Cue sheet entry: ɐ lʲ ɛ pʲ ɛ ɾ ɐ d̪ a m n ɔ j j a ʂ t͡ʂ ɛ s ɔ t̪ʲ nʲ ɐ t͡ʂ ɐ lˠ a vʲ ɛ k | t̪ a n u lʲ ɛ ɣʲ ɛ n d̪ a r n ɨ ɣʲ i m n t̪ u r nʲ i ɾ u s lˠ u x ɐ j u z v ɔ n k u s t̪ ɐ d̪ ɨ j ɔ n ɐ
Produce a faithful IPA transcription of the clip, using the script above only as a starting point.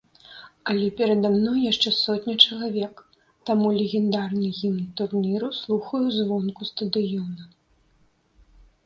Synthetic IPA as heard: ɐ lʲ ɛ pʲ ɛ ɾ ɐ d̪ a m n ɔ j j a ʂ t͡ʂ ɛ s ɔ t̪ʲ nʲ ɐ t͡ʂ ɐ lˠ a vʲ ɛ k | t̪ a m u lʲ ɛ ɣʲ ɛ n d̪ a r n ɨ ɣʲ i m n t̪ u r nʲ i ɾ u s lˠ u x ɐ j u z v ɔ n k u s t̪ ɐ d̪ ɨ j ɔ n ɐ